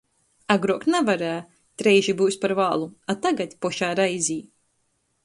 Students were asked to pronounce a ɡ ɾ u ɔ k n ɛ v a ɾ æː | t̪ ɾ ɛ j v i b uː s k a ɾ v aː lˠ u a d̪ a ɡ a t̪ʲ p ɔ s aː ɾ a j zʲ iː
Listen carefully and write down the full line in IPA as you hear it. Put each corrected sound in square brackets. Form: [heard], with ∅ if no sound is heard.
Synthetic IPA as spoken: a ɡ ɾ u ɔ k n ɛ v a ɾ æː | t̪ ɾ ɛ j [ʒ] i b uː s [p] a ɾ v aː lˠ u a [t̪] a ɡ a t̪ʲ p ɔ [ʃ] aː ɾ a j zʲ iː